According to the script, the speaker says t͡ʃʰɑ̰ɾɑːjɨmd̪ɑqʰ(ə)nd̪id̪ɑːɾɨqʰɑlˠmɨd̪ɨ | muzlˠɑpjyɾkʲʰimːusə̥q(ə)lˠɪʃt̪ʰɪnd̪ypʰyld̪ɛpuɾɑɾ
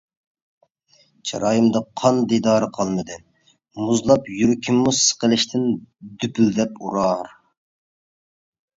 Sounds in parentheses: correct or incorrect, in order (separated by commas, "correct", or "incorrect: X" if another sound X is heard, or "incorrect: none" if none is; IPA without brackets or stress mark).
incorrect: ɑ, correct